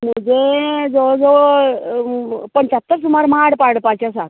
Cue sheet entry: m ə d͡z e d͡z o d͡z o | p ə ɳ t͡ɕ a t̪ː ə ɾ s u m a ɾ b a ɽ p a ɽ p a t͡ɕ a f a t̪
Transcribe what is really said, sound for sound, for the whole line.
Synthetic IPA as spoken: m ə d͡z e d͡z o d͡z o | p ə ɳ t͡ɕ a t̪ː ə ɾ s u m a ɾ m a ɽ p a ɽ p a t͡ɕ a s a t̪